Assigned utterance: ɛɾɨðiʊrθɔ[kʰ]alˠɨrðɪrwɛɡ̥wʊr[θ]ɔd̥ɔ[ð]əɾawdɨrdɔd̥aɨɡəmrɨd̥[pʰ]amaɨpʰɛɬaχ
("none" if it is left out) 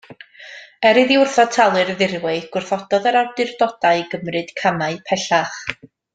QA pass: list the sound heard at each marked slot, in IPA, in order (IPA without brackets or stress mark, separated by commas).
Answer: tʰ, θ, ð, kʰ